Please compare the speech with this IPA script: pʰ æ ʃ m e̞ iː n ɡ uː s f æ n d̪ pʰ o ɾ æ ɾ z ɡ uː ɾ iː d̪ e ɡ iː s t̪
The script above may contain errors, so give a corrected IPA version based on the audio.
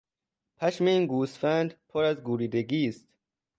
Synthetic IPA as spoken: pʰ æ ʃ m e̞ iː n ɡ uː s f æ n d̪ pʰ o ɾ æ z ɡ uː ɾ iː d̪ e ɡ iː s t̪